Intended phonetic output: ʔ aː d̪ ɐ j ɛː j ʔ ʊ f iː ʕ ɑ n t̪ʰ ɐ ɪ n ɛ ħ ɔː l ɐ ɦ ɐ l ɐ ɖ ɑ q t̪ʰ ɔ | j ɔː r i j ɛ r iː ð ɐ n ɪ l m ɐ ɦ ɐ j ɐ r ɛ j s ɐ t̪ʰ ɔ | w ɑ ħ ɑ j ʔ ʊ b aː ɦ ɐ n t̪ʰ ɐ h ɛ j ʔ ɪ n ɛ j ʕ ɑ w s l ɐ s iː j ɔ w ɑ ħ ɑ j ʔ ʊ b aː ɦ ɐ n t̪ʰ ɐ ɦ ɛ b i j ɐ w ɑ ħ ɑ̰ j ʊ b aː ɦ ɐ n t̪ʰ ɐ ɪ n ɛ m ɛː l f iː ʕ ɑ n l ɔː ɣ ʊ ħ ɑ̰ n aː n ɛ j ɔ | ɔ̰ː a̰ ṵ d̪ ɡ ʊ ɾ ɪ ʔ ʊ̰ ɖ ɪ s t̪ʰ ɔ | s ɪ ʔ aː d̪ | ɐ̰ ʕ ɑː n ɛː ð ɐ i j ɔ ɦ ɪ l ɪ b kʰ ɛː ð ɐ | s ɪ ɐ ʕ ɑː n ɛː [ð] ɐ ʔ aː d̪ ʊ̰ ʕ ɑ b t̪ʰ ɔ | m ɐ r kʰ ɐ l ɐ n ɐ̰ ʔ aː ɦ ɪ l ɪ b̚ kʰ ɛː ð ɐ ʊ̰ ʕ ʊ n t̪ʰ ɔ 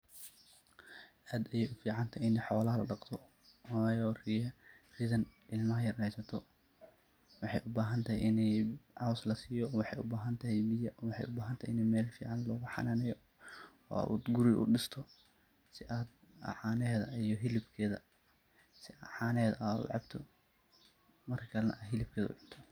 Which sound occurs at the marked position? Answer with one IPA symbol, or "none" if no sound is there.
ð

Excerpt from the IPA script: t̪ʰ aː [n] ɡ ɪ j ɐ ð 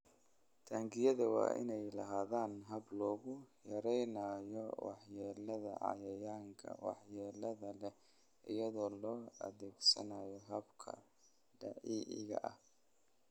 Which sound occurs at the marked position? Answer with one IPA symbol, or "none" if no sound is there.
ŋ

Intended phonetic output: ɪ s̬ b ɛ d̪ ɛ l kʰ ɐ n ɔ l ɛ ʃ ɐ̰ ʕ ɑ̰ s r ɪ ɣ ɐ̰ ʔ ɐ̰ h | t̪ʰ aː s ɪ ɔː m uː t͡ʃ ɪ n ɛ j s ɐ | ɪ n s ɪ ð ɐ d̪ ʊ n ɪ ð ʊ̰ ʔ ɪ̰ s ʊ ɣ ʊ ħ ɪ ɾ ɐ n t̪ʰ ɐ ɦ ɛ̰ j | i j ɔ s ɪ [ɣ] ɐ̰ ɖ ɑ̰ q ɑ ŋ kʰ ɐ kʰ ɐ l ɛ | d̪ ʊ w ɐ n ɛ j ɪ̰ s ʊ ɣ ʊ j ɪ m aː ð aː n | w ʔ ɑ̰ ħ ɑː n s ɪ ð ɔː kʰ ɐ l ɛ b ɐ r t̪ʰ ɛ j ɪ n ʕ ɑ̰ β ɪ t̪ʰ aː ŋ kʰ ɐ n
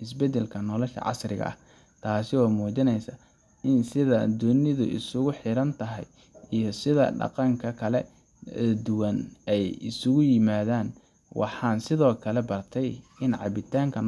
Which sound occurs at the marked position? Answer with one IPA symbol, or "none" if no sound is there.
ð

